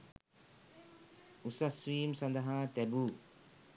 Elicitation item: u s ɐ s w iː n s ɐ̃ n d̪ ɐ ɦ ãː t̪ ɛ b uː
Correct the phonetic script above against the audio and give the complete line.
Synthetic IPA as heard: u s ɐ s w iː m s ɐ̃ n d̪ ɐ ɦ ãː t̪ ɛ b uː

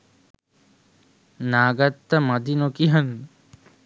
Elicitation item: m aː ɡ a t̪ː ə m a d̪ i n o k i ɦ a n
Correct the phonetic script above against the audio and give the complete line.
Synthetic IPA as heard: n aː ɡ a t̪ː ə m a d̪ i n o k i ɦ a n

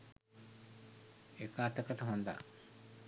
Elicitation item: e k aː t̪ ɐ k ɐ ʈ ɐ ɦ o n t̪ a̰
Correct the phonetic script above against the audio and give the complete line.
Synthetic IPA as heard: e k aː t̪ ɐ k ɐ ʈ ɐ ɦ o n d̪ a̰

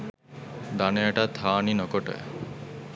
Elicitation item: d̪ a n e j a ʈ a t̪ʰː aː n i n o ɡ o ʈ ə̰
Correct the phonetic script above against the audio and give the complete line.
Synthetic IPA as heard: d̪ a n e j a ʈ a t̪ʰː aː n i n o k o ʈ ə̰

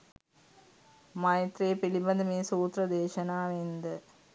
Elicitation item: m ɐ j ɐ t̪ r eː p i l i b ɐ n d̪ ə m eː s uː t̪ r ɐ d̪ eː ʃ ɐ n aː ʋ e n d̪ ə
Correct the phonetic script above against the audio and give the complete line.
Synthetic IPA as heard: m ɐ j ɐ t̪ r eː p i l i b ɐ n d̪ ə m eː s uː t̪ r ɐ d̪ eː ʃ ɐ n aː ʋ e n d̪ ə

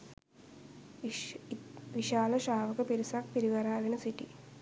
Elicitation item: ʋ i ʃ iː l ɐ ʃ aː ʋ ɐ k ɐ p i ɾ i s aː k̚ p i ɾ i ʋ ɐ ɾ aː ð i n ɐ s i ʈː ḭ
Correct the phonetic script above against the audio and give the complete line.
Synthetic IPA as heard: ʋ i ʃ aː l ɐ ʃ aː ʋ ɐ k ɐ p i ɾ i s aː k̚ p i ɾ i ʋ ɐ ɾ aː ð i n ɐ s i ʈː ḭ

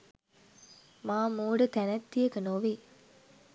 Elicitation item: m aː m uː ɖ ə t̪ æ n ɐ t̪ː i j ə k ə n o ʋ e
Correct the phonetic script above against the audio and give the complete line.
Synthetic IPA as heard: m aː m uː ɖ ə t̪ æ n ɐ t̪ː i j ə k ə n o ʋ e

